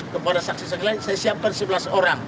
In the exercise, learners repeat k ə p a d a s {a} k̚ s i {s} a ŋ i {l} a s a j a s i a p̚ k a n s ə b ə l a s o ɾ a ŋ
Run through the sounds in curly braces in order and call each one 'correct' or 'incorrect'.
correct, correct, correct

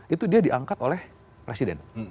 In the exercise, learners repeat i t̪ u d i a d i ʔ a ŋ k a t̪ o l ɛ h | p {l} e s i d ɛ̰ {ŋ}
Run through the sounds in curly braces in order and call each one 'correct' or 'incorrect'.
incorrect, incorrect

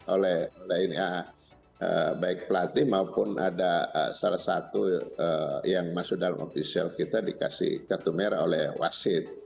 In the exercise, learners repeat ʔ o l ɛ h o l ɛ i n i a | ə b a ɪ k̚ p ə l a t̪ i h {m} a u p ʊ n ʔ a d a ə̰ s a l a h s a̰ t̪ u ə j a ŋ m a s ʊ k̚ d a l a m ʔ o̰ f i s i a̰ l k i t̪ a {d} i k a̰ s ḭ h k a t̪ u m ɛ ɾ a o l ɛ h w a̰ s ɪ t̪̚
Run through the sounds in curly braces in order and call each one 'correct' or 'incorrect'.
correct, correct

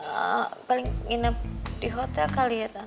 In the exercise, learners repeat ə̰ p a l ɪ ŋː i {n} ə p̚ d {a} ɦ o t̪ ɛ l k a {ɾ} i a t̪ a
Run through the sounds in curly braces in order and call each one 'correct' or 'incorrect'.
correct, incorrect, incorrect

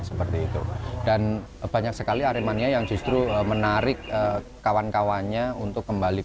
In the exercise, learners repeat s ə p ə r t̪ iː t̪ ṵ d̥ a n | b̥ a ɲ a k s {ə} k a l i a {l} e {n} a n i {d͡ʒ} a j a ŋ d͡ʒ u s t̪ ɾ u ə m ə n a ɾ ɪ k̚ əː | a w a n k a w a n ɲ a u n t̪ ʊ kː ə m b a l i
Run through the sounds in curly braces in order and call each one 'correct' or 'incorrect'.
correct, incorrect, incorrect, incorrect

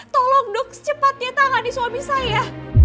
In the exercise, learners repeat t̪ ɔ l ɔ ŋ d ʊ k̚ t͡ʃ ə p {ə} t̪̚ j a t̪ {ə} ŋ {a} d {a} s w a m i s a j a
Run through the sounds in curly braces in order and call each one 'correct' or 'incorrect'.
incorrect, incorrect, correct, incorrect

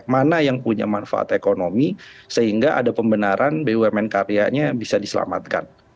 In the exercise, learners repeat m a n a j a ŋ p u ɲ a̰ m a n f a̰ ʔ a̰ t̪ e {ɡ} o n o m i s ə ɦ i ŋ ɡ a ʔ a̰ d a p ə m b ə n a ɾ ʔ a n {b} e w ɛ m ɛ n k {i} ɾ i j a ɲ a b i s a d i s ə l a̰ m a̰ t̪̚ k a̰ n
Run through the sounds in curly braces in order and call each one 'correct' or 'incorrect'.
incorrect, correct, incorrect

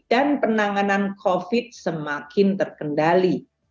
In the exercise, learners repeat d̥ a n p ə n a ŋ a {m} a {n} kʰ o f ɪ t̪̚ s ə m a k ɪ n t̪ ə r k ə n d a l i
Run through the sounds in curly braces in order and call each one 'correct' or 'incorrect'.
incorrect, correct

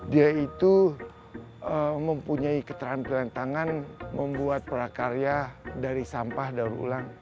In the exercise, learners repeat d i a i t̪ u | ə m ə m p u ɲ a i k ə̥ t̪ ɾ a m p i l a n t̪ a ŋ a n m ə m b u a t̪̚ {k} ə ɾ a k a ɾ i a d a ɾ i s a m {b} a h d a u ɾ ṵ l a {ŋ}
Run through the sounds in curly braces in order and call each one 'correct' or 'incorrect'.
incorrect, incorrect, correct

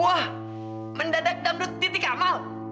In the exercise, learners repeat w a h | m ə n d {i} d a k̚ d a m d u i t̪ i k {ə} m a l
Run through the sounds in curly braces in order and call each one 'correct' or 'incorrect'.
incorrect, incorrect

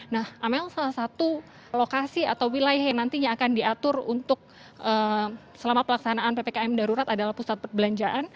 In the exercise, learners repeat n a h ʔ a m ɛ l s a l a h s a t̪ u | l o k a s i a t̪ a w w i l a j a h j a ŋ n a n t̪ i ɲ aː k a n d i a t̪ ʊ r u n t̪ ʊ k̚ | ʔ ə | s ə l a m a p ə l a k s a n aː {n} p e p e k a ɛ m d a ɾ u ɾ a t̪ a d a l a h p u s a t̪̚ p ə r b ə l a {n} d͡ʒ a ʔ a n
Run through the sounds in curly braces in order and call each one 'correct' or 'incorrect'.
correct, incorrect

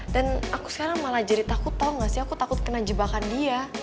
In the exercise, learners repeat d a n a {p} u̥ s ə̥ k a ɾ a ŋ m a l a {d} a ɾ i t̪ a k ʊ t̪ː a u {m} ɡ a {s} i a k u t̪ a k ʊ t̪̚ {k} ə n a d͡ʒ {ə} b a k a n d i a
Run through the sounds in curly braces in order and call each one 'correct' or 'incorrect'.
incorrect, incorrect, incorrect, correct, correct, correct

